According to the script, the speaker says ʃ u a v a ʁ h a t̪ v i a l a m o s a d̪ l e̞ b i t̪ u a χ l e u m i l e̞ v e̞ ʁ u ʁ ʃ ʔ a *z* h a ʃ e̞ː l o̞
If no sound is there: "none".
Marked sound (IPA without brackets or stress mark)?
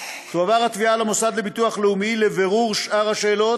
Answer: ʁ